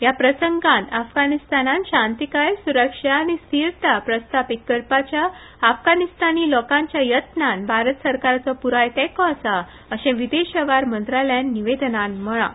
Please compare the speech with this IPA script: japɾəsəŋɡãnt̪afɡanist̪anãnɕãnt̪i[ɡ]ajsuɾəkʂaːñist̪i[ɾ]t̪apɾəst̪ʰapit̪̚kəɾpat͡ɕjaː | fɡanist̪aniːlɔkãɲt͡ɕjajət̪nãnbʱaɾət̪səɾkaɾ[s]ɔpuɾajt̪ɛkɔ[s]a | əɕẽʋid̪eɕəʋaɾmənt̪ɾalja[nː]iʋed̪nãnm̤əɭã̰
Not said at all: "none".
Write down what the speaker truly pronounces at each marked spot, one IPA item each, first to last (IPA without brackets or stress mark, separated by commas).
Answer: k, ɾ, t͡s, s, nː